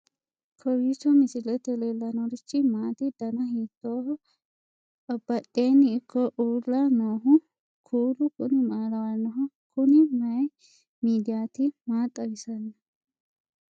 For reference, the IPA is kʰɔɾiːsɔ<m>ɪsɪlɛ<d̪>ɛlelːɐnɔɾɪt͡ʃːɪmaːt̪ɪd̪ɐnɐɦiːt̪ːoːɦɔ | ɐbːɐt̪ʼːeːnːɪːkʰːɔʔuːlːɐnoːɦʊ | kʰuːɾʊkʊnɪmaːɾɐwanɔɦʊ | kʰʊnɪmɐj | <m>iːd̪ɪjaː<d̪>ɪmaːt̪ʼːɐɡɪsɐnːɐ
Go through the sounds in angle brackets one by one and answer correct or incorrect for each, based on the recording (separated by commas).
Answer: correct, incorrect, correct, incorrect